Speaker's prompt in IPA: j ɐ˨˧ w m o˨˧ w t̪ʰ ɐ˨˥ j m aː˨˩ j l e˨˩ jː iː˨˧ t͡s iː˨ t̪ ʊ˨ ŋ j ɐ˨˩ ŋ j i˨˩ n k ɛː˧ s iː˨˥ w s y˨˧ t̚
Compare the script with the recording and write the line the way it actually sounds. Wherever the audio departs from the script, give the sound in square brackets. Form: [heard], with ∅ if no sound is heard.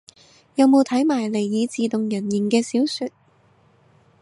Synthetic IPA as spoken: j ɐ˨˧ w m o˨˧ w t̪ʰ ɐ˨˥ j m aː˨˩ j l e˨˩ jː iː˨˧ t͡s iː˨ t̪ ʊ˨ ŋ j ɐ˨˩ [n] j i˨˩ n k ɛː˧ s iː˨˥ w s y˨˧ t̚

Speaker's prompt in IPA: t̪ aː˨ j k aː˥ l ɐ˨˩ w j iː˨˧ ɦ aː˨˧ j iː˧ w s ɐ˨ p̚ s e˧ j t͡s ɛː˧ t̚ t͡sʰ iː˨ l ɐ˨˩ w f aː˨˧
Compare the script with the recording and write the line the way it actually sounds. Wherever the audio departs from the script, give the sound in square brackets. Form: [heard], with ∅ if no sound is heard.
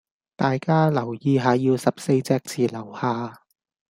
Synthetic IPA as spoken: t̪ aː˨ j k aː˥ l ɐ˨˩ w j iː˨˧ ɦ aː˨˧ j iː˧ w s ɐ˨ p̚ s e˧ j t͡s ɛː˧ [k̚] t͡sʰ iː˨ l ɐ˨˩ w [h] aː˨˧

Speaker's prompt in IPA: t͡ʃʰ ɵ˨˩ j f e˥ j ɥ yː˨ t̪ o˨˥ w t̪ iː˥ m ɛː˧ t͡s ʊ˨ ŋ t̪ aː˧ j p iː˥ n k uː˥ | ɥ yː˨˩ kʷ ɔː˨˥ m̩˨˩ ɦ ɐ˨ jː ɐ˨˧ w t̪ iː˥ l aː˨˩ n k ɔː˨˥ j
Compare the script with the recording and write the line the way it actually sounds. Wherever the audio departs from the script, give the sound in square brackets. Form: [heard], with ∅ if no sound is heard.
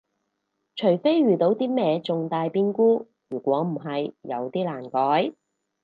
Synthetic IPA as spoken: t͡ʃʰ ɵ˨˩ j f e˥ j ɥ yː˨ t̪ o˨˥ w t̪ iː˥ m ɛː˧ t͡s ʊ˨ ŋ t̪ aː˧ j p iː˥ n k uː˥ | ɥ yː˨˩ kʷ ɔː˨˥ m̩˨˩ ɦ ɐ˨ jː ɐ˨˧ w t̪ iː˥ l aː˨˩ n k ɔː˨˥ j

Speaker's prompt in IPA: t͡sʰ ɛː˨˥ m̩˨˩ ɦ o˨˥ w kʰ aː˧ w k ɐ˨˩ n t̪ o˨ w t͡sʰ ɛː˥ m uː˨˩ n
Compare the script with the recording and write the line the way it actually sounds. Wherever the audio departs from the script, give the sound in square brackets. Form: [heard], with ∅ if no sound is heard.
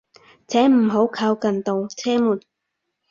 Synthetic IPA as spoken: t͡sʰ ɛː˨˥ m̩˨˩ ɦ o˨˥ w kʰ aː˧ w k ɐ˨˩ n t̪ o˨ w t͡sʰ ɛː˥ m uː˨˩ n

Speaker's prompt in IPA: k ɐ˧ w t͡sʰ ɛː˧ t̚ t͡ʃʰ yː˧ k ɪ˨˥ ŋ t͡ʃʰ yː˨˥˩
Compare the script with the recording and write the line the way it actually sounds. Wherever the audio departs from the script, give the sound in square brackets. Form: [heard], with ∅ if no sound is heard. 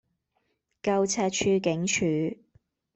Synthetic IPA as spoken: k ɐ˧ w t͡sʰ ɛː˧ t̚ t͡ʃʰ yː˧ k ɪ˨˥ ŋ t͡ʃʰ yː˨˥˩

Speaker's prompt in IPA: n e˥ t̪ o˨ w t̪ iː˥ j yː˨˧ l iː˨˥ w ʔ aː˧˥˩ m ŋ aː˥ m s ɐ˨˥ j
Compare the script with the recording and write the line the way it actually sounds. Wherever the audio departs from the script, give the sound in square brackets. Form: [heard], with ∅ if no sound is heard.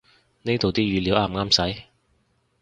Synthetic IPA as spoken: n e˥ t̪ o˨ w t̪ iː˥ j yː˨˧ l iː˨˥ w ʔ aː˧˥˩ m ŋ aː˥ m s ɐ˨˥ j

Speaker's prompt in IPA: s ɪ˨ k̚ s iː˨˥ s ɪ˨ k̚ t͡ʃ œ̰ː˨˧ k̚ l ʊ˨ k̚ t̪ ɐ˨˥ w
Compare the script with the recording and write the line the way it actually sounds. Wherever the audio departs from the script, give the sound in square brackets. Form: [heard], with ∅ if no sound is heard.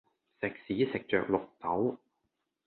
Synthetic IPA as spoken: s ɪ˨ k̚ s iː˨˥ s ɪ˨ k̚ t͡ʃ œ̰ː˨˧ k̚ l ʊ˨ k̚ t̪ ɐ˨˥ w

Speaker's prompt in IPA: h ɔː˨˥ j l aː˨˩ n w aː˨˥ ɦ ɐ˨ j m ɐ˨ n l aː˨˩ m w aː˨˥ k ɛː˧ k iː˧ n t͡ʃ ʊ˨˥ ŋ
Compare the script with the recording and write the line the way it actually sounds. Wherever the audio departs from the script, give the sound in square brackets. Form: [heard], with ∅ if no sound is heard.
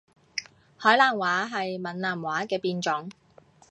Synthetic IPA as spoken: h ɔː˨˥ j l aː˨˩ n w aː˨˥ ɦ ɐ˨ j m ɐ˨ n l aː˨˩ m w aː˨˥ k ɛː˧ [p] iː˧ n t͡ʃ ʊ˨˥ ŋ

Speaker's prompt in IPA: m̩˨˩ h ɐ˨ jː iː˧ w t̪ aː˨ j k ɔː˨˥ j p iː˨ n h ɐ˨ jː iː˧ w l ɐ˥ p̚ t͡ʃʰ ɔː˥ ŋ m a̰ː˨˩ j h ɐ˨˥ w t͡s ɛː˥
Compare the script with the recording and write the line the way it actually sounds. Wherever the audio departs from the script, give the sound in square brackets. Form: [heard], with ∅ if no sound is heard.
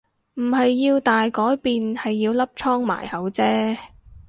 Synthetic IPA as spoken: m̩˨˩ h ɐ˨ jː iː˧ w t̪ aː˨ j k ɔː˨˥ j p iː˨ n h ɐ˨ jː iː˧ w l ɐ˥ p̚ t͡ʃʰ ɔː˥ ŋ m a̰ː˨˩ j h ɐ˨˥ w t͡s ɛː˥

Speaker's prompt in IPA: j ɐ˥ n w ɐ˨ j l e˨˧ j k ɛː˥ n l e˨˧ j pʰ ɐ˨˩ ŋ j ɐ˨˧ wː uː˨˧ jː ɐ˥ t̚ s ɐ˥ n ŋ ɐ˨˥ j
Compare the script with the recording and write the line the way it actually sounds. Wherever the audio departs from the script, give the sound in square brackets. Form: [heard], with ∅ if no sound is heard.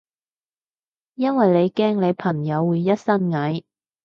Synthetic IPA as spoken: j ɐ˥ n w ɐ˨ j l e˨˧ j k ɛː˥ [ŋ] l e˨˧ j pʰ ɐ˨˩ ŋ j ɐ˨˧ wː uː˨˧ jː ɐ˥ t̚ s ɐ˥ n ŋ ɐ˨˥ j

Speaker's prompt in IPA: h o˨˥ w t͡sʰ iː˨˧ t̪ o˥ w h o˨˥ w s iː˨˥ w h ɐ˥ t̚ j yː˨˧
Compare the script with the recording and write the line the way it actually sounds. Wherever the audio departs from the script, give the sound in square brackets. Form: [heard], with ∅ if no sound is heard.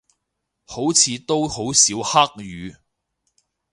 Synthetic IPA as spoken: h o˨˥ w t͡sʰ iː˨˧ t̪ o˥ w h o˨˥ w s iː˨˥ w h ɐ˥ [k̚] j yː˨˧

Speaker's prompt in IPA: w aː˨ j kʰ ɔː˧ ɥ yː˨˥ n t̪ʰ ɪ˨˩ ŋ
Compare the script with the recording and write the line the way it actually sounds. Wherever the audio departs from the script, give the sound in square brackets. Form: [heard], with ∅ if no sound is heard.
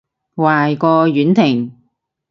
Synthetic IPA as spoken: w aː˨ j [k] ɔː˧ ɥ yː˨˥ n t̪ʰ ɪ˨˩ ŋ

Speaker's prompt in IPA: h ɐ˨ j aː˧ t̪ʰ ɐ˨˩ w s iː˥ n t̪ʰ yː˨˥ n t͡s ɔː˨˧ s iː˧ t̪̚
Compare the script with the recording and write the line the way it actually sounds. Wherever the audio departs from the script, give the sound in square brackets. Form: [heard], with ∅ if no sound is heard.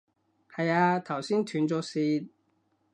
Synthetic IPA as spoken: h ɐ˨ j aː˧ t̪ʰ ɐ˨˩ w s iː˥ n t̪ʰ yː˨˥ n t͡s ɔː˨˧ s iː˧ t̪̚

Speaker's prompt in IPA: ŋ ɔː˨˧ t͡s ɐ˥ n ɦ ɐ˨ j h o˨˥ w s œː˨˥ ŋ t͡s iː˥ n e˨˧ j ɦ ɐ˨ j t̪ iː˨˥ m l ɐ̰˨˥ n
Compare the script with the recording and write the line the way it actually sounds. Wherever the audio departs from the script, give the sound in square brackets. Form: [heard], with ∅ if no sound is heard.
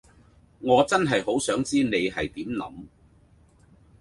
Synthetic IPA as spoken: ŋ ɔː˨˧ t͡s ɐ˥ n ɦ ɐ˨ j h o˨˥ w s œː˨˥ ŋ t͡s iː˥ n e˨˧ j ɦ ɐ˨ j t̪ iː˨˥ m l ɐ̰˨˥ [m]

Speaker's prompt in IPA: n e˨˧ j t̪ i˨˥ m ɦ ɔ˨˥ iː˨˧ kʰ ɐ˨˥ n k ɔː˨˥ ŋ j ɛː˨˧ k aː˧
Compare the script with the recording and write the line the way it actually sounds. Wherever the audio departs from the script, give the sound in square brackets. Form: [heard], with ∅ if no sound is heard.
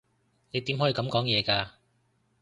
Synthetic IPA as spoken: n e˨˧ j t̪ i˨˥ m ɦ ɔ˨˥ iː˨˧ [k] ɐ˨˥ [m] k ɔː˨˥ ŋ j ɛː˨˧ k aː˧

